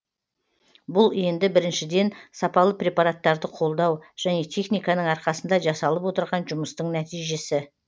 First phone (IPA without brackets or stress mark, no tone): b